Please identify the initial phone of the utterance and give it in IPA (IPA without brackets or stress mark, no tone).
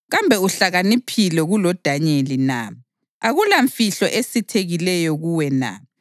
ɣ